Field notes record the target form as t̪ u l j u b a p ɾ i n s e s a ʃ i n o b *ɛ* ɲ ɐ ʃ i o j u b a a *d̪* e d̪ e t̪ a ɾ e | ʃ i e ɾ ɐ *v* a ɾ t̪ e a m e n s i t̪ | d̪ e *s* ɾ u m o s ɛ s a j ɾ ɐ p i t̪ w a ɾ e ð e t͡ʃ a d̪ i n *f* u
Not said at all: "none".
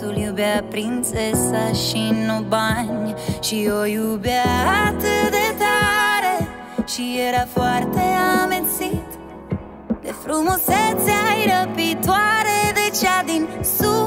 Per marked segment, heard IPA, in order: a, t̪, f, f, s

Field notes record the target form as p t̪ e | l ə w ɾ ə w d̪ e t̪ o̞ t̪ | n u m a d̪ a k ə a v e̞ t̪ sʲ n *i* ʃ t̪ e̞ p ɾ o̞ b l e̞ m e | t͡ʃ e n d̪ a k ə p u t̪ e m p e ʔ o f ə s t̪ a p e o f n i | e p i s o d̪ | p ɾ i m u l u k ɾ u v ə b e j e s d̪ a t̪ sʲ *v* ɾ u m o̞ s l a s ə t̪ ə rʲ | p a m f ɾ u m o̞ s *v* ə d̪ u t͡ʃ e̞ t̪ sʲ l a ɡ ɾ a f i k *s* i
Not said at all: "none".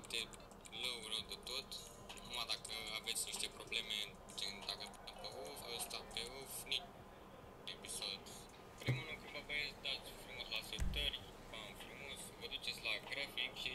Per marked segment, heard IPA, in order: i, f, v, ʃ

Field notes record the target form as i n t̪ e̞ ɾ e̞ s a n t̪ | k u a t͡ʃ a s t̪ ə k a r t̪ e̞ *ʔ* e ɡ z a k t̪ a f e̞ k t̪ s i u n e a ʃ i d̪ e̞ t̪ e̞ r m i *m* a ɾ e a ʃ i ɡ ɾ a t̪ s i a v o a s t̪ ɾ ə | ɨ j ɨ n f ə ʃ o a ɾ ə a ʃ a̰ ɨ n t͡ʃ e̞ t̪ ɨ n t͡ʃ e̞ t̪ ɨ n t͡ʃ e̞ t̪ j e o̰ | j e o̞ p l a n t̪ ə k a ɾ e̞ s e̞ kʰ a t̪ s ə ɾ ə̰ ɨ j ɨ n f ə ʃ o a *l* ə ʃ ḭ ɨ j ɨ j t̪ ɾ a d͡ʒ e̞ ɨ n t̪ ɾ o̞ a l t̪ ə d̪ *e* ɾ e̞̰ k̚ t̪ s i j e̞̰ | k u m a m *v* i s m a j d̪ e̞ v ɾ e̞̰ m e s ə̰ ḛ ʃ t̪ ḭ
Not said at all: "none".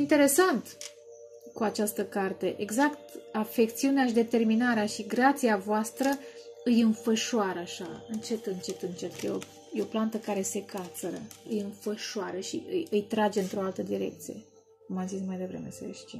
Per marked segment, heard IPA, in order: ʔ, n, ɾ, i, z

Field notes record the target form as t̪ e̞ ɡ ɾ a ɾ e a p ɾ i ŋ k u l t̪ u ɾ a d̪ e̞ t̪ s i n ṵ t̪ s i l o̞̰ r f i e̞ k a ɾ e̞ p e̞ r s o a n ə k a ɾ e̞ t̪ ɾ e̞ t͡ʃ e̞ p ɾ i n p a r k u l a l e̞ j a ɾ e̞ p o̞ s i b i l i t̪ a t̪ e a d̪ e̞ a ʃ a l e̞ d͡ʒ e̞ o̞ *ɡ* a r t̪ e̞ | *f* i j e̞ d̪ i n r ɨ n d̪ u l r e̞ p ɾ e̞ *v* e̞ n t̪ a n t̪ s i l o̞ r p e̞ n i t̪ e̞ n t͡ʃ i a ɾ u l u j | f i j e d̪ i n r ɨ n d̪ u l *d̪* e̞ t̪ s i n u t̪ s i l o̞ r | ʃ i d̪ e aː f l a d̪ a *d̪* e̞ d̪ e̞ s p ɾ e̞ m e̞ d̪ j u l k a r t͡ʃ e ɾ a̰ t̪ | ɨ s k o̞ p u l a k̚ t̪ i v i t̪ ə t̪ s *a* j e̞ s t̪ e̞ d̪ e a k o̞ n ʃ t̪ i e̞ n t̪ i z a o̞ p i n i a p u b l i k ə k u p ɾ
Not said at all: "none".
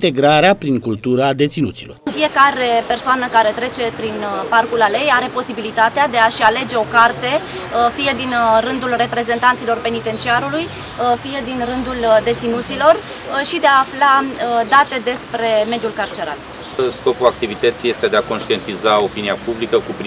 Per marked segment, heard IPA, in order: k, f, z, d̪, t̪, i

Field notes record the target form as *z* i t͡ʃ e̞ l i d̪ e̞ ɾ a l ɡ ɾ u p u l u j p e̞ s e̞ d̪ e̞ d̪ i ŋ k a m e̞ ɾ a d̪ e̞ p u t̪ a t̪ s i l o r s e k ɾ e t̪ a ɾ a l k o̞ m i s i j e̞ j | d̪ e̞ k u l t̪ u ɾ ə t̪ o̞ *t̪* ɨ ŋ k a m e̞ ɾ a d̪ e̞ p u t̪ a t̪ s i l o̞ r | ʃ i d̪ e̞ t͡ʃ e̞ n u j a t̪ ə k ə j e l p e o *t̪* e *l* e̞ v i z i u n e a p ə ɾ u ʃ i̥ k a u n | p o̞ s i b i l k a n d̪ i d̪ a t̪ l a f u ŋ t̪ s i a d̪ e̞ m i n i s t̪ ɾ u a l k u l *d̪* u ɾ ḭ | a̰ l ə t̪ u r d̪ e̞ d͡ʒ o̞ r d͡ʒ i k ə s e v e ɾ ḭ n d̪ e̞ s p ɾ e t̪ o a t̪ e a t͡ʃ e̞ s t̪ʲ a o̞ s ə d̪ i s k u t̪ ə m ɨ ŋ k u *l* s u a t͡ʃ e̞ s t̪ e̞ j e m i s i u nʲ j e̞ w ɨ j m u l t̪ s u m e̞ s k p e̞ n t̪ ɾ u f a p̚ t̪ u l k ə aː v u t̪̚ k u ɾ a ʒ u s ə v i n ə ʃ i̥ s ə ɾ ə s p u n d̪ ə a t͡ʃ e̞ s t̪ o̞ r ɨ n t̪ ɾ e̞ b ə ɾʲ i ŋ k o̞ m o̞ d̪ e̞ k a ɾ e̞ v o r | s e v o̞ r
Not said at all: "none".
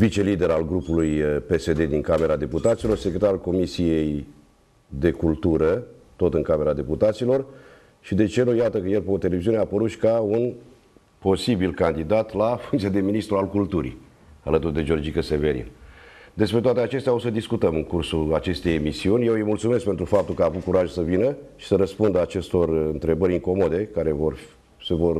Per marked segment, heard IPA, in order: v, t̪, t̪, l, t̪, r

